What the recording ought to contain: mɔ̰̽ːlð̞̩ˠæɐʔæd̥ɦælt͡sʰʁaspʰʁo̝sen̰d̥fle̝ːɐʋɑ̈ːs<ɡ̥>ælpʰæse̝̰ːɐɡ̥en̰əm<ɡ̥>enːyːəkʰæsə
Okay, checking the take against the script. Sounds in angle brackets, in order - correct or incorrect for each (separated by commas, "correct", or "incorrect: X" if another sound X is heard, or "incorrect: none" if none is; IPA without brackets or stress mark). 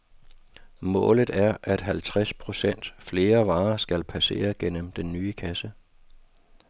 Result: correct, incorrect: d̥